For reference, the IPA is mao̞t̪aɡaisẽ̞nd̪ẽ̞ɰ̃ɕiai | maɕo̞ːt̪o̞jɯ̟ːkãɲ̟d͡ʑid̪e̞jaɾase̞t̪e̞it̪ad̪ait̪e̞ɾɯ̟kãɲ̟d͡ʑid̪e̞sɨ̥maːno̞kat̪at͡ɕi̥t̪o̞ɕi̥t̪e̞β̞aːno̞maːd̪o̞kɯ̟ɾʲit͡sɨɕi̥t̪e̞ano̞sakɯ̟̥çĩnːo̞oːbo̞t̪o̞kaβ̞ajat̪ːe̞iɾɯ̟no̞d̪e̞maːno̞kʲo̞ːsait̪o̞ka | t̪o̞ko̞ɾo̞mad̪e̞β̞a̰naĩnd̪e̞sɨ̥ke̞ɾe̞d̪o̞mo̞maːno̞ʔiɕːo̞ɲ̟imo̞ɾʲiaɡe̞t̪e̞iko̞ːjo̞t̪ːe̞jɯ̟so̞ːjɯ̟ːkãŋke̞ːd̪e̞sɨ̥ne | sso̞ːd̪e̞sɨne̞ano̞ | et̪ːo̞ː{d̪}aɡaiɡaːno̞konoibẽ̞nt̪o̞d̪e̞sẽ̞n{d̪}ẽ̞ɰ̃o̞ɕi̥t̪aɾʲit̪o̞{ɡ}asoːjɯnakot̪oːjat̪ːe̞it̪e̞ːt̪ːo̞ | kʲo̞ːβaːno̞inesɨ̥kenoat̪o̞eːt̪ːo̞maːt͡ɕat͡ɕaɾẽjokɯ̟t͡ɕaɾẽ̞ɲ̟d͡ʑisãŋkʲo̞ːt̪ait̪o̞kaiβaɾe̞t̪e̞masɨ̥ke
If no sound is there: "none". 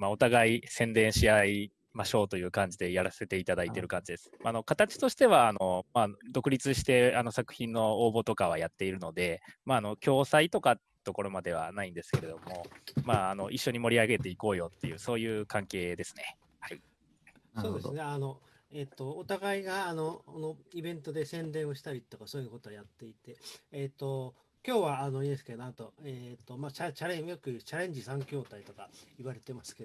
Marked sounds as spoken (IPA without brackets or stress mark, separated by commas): t̪, d̪, k